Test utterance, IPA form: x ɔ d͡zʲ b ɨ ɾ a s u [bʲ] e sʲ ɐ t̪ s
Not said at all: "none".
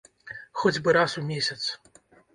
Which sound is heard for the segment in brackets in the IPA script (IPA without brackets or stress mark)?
mʲ